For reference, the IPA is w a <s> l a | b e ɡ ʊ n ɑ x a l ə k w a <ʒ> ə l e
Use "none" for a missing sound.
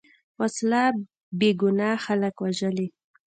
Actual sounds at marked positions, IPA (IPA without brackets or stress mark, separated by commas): s, ʒ